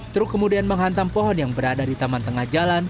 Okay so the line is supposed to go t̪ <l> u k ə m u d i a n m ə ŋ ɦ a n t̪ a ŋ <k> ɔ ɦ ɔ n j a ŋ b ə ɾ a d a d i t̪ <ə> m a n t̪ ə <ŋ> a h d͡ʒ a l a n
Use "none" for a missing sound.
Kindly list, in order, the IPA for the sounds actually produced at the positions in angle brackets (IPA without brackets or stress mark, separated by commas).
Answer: ɾ, p, a, ŋ